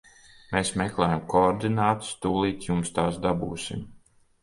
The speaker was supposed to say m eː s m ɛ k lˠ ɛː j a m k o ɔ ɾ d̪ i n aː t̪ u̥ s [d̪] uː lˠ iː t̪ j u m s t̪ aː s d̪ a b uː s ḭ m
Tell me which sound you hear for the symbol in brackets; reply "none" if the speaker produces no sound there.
t̪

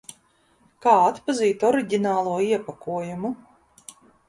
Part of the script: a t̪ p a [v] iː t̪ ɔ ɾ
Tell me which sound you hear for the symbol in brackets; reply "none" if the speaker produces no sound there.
z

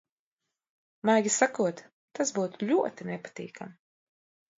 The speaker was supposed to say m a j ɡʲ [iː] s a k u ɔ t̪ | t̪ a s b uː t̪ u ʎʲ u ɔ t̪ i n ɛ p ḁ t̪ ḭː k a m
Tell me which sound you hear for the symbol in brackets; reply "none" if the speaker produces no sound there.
i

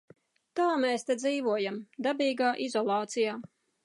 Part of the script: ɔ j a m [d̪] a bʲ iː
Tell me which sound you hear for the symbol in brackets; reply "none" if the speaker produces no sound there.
d̪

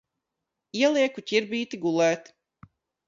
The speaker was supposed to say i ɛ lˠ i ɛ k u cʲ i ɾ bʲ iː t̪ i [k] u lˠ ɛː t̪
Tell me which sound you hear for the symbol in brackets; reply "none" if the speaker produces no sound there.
ɡ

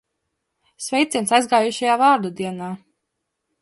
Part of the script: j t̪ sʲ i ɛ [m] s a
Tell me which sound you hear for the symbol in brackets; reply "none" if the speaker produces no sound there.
n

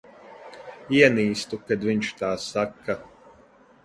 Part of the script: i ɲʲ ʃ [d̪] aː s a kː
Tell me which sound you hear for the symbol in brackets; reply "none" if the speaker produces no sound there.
t̪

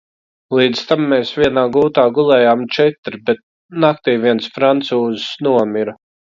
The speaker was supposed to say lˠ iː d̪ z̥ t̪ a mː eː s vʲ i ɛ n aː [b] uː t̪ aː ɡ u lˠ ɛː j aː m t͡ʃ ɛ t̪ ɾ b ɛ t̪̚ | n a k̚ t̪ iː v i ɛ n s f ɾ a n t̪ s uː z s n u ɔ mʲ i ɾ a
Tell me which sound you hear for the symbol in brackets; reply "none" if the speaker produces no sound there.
ɡ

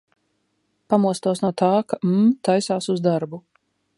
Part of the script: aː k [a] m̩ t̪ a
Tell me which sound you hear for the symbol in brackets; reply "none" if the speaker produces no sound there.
a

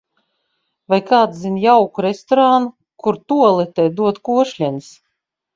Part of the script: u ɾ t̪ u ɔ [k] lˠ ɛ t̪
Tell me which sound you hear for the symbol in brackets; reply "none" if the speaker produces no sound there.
none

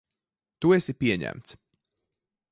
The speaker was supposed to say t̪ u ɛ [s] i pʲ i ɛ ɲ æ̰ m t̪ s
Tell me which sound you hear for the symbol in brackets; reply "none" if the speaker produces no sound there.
s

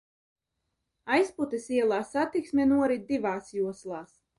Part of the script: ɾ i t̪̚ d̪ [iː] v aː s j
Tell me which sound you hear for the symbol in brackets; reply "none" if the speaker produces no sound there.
i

